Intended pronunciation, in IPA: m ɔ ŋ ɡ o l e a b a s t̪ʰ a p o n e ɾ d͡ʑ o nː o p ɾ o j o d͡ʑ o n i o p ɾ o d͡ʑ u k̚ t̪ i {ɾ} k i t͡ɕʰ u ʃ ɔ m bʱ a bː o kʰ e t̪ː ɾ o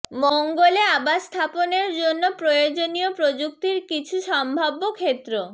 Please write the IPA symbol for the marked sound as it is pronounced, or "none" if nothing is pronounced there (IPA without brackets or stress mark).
ɾ